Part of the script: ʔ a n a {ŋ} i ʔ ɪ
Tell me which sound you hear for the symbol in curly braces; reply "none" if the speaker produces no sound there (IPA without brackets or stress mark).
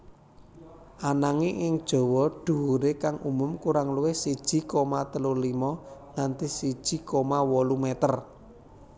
ŋ